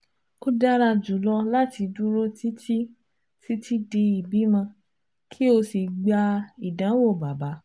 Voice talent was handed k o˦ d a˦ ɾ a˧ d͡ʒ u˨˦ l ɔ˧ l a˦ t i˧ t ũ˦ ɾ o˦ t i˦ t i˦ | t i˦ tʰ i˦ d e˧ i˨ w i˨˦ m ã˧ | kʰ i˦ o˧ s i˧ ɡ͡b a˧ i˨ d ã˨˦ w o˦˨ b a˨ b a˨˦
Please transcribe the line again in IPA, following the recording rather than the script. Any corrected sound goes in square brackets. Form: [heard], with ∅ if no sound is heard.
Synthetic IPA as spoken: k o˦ d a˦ ɾ a˧ d͡ʒ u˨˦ l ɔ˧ l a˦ t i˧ [d] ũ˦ ɾ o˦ t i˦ t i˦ | t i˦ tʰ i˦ d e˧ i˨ [b] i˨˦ m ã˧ | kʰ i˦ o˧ s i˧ ɡ͡b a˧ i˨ d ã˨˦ w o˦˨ b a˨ b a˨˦